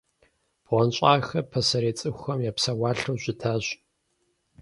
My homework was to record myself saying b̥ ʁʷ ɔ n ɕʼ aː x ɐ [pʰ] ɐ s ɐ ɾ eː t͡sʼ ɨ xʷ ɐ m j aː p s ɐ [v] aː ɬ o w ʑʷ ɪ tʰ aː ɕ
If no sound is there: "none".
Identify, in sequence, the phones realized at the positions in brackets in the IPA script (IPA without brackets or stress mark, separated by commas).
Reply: pʰ, w